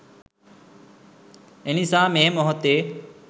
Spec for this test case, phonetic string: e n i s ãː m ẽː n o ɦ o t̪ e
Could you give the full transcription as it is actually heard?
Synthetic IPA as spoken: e n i s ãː m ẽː m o ɦ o t̪ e